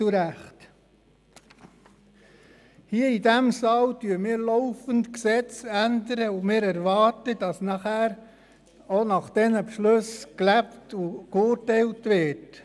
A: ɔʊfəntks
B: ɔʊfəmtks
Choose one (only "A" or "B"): A